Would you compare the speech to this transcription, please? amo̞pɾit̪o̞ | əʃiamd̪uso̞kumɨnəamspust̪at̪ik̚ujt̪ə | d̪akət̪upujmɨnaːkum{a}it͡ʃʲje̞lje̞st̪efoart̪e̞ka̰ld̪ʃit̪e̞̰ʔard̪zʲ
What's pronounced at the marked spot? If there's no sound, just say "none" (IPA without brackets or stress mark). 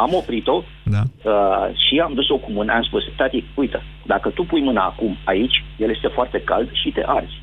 a